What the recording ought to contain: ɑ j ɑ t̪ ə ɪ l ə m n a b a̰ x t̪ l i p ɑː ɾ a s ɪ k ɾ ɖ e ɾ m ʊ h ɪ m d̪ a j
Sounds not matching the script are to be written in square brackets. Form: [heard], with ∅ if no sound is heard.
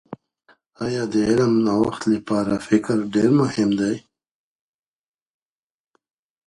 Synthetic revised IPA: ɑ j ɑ [d̪] ə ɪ l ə m n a [w] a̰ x t̪ l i p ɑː ɾ a [f] ɪ k ɾ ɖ e ɾ m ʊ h ɪ m d̪ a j